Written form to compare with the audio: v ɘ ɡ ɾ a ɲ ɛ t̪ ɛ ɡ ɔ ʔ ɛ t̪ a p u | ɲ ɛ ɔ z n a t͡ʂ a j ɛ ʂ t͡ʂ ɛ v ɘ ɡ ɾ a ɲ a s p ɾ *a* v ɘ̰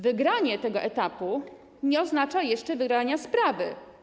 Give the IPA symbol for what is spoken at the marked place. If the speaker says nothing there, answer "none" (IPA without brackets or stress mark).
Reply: a